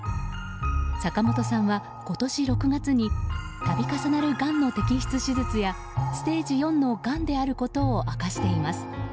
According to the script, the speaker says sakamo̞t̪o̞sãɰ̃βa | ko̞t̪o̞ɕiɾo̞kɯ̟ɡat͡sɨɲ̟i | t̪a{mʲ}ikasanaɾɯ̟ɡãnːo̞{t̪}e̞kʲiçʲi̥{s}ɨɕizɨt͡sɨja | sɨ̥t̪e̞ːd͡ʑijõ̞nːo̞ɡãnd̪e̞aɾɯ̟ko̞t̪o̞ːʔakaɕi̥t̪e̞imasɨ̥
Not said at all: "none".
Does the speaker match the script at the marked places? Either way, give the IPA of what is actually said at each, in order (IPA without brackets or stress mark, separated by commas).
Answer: bʲ, t̪, t͡s